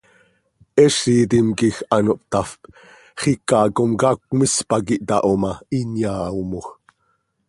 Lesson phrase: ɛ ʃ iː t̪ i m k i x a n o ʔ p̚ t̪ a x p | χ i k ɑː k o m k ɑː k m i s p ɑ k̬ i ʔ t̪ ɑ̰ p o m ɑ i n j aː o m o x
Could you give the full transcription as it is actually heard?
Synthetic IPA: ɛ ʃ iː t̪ i m k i x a n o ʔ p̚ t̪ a f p | χ i k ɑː k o m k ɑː k m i s p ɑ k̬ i ʔ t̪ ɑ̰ ʔ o m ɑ i n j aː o m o x